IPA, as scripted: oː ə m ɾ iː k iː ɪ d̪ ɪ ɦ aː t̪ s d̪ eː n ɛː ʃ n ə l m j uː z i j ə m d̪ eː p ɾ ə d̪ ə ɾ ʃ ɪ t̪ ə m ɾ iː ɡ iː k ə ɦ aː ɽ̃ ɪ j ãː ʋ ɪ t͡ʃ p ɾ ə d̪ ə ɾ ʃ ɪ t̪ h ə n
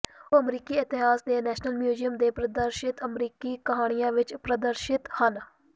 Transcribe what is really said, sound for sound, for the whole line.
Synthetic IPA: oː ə m ɾ iː k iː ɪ t̪ ɪ ɦ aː s d̪ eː n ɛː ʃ n ə l m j uː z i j ə m d̪ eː p ɾ ə d̪ ə ɾ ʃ ɪ t̪ ə m ɾ iː k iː k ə ɦ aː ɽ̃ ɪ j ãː ʋ ɪ t͡ʃ p ɾ ə d̪ ə ɾ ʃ ɪ t̪ h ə n